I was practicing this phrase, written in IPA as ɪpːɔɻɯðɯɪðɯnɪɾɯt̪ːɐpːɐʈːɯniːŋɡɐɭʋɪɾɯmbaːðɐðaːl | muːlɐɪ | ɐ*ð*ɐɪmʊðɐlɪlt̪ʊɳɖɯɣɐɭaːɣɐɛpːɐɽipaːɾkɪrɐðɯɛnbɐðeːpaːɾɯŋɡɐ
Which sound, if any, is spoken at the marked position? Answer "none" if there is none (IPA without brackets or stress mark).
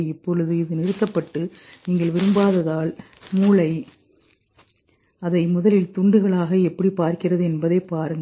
ð